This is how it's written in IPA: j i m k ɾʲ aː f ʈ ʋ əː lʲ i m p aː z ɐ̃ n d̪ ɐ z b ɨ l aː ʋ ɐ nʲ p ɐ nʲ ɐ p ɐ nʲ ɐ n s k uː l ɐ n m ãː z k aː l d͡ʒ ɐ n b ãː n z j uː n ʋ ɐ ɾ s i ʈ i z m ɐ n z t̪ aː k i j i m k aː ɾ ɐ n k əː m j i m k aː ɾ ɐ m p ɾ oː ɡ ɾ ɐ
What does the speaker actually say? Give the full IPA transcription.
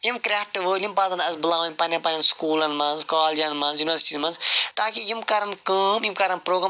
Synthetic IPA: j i m k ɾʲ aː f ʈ ʋ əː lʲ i m p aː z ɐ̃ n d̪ ɐ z b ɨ l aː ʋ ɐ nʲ p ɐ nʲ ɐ p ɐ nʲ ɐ n s k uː l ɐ n m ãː z k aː l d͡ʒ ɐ n m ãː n z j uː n ʋ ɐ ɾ s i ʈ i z m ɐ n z t̪ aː k i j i m k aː ɾ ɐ n k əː m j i m k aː ɾ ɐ n p ɾ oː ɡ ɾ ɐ

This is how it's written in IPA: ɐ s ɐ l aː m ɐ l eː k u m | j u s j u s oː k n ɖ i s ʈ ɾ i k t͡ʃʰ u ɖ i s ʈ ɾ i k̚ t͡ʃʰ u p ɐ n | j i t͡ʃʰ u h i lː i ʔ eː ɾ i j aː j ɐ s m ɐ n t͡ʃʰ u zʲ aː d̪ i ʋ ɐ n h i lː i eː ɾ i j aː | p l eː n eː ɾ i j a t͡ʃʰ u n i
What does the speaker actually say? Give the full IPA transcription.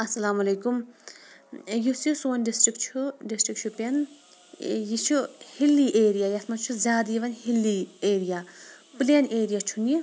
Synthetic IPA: ɐ s ɐ l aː m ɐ l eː k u m | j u s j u s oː n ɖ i s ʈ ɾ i k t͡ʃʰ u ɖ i s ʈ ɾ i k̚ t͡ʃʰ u p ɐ n | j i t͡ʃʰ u h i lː i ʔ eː ɾ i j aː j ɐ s m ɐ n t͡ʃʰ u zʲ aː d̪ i ʋ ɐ n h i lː i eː ɾ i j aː | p l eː n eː ɾ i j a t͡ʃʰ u n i

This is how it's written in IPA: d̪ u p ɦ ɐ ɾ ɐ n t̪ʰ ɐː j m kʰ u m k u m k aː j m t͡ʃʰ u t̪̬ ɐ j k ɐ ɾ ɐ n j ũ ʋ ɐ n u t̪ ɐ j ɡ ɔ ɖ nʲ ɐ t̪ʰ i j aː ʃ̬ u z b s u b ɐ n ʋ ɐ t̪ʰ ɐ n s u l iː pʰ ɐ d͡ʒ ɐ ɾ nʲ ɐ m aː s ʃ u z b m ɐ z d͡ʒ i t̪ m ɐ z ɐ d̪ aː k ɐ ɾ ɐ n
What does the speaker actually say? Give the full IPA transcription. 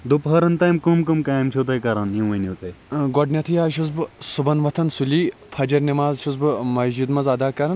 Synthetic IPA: d̪ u p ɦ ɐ ɾ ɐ n t̪ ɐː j m k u m k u m k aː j m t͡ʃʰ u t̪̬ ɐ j k ɐ ɾ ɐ n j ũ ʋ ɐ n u t̪ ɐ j ɡ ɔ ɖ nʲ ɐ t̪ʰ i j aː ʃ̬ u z b s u b ɐ n ʋ ɐ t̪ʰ ɐ n s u l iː pʰ ɐ d͡ʒ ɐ ɾ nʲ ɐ m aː z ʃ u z b m ɐ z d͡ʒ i d̪ m ɐ z ɐ d̪ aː k ɐ ɾ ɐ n

